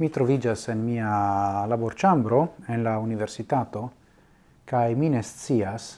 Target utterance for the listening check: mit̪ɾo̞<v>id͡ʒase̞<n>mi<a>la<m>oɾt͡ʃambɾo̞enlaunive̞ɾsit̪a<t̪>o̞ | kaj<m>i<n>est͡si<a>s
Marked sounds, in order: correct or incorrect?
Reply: correct, correct, correct, incorrect: b, correct, correct, correct, correct

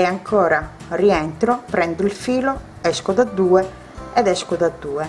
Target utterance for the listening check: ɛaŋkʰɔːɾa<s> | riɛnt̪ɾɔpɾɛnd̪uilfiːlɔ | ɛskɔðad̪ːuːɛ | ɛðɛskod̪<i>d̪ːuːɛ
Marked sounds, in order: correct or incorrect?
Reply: incorrect: none, incorrect: a

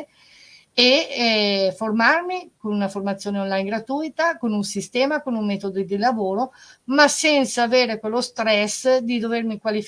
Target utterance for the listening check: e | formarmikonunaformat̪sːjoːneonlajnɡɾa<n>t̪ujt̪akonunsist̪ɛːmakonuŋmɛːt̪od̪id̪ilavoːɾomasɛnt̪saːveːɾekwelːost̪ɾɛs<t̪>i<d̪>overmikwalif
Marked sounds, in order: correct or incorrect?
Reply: incorrect: none, incorrect: d̪, correct

